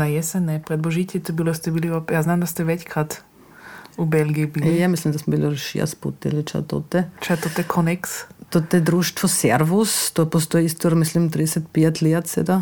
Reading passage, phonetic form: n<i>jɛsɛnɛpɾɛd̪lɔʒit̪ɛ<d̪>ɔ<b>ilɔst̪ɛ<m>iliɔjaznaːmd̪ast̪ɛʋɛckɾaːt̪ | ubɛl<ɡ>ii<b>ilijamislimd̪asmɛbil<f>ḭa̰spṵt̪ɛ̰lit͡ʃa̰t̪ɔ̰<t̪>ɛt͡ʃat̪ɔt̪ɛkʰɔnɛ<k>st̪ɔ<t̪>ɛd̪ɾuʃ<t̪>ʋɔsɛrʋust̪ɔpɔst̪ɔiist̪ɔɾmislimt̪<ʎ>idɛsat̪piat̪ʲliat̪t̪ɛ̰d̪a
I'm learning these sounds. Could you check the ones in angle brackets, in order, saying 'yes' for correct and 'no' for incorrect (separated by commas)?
no, no, yes, no, yes, yes, no, yes, yes, yes, yes, no